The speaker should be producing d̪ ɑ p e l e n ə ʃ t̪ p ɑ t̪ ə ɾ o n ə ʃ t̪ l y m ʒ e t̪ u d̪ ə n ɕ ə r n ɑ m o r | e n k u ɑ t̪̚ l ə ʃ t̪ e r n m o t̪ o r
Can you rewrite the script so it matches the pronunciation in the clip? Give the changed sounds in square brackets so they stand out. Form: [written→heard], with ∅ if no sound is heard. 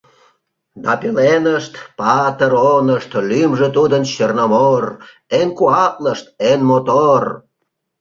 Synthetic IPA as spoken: d̪ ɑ p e l e n ə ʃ t̪ p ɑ t̪ ə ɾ o n ə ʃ t̪ l y m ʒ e t̪ u d̪ ə n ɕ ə r n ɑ m o r | e n k u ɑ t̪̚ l ə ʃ t̪ e [r→∅] n m o t̪ o r